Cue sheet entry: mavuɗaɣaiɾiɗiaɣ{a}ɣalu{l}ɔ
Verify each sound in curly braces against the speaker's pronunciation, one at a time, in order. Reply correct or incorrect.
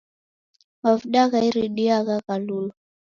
correct, correct

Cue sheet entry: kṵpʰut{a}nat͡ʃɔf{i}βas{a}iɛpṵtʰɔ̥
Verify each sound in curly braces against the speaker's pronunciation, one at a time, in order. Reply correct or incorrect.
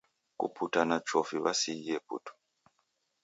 correct, correct, incorrect

